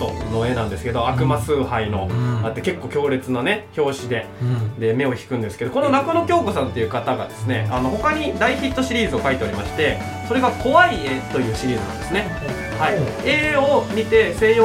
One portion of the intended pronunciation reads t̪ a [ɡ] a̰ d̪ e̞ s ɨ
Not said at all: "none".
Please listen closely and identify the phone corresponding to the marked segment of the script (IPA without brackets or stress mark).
ɡ